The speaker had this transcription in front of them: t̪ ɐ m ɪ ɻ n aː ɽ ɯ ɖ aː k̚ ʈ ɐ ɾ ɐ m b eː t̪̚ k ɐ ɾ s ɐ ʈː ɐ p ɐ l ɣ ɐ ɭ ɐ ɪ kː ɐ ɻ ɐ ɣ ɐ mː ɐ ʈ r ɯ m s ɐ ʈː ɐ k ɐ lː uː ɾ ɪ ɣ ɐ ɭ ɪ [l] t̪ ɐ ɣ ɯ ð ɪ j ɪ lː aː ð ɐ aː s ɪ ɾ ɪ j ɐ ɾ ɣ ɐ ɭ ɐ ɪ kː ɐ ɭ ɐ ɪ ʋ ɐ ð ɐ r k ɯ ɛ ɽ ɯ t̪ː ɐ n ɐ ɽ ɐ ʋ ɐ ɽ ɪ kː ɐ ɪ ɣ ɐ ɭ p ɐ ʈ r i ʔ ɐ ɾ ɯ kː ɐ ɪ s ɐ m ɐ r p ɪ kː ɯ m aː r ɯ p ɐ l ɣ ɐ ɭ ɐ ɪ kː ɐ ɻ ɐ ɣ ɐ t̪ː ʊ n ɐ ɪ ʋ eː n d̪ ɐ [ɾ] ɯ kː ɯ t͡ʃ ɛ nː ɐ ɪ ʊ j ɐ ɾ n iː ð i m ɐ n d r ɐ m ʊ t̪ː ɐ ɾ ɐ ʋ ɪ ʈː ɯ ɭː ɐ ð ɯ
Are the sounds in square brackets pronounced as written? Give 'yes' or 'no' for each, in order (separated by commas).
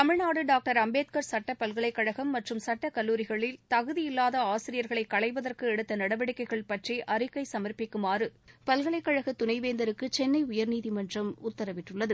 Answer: yes, yes